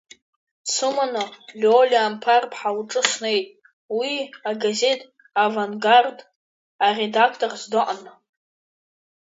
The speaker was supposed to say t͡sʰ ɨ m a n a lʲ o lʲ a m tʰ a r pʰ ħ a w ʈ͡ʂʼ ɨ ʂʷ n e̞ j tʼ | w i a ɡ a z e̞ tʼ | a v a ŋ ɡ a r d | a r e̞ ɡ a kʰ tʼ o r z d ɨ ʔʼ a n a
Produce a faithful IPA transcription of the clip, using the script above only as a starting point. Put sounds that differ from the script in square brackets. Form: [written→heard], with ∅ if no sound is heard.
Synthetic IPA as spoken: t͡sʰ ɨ m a n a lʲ o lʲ a m [tʰ→pʰ] a r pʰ ħ a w ʈ͡ʂʼ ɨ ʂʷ n e̞ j tʼ | w i a ɡ a z e̞ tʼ | a v a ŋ ɡ a r d | a r e̞ [ɡ→d] a kʰ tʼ o r z d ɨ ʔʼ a n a